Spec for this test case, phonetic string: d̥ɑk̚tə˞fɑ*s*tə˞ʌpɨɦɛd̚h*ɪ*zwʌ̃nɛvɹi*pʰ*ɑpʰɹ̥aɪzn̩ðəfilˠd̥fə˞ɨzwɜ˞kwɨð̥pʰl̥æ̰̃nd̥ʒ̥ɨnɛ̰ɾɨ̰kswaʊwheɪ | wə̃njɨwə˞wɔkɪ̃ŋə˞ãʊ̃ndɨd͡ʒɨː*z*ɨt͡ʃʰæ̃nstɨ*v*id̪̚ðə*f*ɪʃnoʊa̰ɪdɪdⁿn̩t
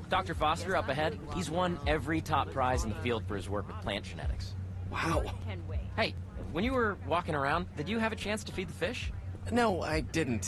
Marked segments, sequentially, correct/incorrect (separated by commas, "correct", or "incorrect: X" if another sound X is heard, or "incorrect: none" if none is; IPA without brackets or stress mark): correct, incorrect: i, incorrect: tʰ, incorrect: v, incorrect: f, correct